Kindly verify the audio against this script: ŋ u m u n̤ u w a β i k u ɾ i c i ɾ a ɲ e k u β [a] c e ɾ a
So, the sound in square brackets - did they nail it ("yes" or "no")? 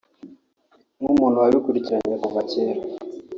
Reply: yes